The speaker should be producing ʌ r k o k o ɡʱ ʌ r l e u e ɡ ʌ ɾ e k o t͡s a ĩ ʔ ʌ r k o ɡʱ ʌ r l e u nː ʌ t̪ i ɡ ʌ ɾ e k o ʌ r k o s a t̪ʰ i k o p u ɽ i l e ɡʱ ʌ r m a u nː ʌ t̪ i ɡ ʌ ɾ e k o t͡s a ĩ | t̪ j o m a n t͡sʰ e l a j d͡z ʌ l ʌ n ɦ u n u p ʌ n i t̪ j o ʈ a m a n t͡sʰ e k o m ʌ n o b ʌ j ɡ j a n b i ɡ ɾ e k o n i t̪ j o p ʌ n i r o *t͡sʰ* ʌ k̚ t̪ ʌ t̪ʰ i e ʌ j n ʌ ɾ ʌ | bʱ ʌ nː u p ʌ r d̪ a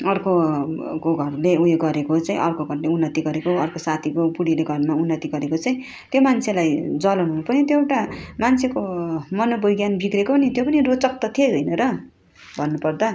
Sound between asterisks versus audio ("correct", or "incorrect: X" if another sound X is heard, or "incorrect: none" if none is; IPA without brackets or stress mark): incorrect: t͡s